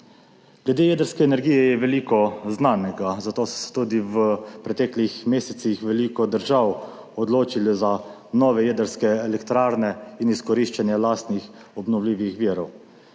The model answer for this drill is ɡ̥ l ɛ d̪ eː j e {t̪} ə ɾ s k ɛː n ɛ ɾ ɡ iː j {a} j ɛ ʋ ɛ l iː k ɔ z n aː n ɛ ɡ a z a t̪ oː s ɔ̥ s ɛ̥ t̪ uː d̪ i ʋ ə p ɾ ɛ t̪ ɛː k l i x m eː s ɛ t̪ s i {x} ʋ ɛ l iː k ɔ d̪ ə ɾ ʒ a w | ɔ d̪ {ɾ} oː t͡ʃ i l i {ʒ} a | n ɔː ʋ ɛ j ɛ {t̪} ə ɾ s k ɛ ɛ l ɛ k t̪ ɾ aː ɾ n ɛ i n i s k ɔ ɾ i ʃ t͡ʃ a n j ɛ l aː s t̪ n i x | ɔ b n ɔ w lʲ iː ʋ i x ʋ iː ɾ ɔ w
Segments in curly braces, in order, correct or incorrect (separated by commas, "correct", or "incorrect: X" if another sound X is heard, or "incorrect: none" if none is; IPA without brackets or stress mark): incorrect: d̪, incorrect: ɛ, correct, incorrect: l, incorrect: z, incorrect: d̪